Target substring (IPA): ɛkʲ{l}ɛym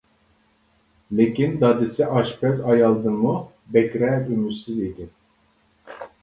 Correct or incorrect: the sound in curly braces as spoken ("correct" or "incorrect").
incorrect